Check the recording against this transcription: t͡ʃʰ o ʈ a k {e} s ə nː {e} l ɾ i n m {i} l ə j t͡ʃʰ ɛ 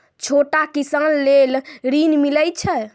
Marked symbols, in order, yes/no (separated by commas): no, yes, yes